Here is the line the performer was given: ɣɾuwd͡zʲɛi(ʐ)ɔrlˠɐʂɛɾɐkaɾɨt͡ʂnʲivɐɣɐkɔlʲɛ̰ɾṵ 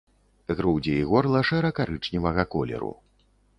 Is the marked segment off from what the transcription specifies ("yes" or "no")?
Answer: yes